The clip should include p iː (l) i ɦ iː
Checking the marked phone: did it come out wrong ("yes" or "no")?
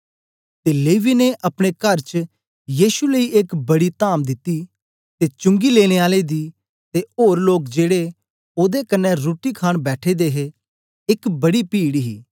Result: yes